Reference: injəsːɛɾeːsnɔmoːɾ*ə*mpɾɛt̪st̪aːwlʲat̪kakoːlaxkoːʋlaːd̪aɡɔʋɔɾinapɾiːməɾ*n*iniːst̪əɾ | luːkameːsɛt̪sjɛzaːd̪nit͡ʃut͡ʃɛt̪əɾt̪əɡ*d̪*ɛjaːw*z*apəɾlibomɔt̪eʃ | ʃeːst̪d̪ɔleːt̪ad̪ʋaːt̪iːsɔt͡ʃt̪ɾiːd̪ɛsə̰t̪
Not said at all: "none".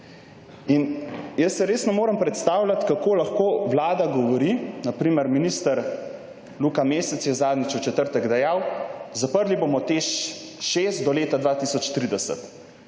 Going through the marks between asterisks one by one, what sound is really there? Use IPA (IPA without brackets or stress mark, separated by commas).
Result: ə, m, d̪, z